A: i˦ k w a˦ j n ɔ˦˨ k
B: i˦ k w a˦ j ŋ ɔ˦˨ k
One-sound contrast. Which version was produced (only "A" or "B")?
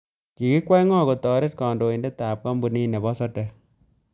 B